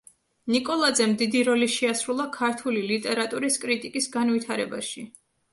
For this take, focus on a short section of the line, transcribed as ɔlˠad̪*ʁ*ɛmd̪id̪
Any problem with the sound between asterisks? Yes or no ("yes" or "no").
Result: yes